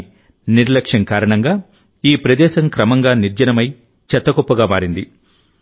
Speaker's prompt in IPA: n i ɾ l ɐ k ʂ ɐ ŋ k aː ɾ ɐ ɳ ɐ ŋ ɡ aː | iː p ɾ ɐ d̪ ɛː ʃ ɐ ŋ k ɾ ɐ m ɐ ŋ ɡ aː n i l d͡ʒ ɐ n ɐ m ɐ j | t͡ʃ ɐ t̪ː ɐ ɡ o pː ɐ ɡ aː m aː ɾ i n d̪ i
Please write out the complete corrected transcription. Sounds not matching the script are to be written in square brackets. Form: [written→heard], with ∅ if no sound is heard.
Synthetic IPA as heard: n i ɾ l ɐ k ʂ ɐ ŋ k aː ɾ ɐ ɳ ɐ ŋ ɡ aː | iː p ɾ ɐ d̪ ɛː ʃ ɐ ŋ k ɾ ɐ m ɐ ŋ ɡ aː n i [l→ɾ] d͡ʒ ɐ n ɐ m ɐ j | t͡ʃ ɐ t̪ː ɐ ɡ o pː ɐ ɡ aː m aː ɾ i n d̪ i